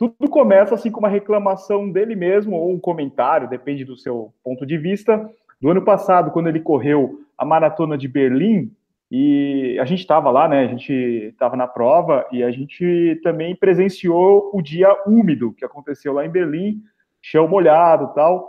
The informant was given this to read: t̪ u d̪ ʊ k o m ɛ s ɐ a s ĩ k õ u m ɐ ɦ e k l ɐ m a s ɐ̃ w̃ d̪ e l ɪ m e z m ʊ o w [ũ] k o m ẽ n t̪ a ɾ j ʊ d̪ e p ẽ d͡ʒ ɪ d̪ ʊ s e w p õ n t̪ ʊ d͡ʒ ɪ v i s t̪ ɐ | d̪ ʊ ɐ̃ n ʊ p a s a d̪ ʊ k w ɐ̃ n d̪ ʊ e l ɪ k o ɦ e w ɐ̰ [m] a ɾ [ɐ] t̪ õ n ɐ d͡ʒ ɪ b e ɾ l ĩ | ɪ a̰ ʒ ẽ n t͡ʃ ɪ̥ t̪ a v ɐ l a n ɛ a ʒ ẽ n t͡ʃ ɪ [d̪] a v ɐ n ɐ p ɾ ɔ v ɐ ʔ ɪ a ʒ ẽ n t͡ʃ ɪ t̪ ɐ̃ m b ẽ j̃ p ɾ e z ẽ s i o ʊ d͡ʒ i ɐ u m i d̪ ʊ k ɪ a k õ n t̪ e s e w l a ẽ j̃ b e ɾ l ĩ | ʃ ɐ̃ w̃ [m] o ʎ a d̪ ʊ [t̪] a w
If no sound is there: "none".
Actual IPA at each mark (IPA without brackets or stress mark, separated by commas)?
ũ, m, a, t̪, m, t̪